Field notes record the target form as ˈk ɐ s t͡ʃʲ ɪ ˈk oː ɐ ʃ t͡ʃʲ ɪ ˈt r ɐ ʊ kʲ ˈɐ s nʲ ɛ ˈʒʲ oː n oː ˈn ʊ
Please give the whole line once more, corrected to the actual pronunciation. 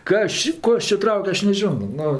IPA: ˈk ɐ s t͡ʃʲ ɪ ˈk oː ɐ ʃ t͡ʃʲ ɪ ˈt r ɐ ʊ kʲ ˈɐ ʃ nʲ ɛ ˈʒʲ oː n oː ˈn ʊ